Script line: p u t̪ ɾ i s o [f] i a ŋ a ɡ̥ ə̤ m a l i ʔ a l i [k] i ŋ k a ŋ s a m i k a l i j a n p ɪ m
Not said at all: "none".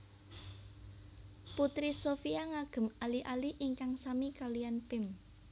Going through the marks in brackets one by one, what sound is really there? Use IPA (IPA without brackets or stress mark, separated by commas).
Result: f, ʔ